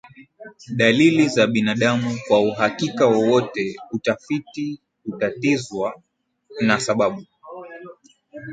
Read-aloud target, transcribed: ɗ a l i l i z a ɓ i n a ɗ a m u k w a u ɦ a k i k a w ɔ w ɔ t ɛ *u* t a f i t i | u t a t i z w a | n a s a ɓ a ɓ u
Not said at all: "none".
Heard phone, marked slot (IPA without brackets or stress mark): u